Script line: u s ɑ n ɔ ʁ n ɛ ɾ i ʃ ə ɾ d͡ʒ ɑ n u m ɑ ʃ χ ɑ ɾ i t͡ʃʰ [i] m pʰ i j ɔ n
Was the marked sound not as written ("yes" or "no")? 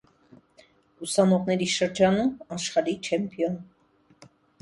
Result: yes